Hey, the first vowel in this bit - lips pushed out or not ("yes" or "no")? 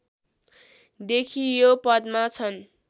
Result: no